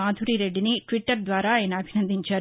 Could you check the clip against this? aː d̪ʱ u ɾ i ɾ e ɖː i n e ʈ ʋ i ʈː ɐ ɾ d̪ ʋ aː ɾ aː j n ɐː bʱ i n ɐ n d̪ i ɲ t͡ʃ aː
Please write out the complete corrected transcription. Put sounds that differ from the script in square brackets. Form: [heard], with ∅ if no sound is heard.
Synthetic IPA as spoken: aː d̪ʱ u ɾ i ɾ e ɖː i n [i] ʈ ʋ i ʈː ɐ ɾ d̪ ʋ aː ɾ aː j n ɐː bʱ i n ɐ n d̪ i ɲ t͡ʃ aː